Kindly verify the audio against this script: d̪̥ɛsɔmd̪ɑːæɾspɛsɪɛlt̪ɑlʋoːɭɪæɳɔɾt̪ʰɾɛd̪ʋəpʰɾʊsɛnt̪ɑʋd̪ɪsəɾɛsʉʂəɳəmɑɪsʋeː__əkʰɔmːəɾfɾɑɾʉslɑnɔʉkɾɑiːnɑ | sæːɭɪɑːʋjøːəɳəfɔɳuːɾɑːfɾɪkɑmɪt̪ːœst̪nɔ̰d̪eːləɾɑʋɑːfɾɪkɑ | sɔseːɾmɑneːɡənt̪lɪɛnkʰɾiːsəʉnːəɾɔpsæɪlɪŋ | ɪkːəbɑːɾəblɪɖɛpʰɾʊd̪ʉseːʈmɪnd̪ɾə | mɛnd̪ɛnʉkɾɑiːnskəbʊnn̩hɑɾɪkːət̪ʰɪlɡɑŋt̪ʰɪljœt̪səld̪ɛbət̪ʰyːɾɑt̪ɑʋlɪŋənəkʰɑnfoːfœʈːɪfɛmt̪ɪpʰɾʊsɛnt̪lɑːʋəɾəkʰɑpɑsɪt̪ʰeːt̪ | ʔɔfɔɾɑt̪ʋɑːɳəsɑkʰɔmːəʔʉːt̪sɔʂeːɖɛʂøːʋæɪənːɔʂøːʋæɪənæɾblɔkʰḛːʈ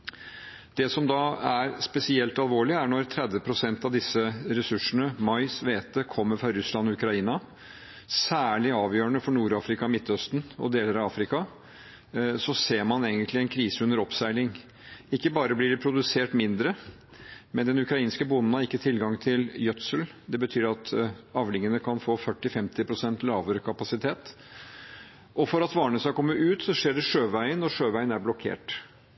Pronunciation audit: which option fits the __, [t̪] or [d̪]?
t̪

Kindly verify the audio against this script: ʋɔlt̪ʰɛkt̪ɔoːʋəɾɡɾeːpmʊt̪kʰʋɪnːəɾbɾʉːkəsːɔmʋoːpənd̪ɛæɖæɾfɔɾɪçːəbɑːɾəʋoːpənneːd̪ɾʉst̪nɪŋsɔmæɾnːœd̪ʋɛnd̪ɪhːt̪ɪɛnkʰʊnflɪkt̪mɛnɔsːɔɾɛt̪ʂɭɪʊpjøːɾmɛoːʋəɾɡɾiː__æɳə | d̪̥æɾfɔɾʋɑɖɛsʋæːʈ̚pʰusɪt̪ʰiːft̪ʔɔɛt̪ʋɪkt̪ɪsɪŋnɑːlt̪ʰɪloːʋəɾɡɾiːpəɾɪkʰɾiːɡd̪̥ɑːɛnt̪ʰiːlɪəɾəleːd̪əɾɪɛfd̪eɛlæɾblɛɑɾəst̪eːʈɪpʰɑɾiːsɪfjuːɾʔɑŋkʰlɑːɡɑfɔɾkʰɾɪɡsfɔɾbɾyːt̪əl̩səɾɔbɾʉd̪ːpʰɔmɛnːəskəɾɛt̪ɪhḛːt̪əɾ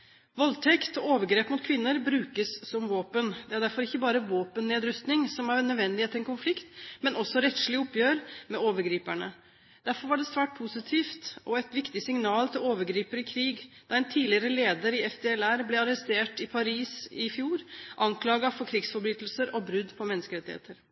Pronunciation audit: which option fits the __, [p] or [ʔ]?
p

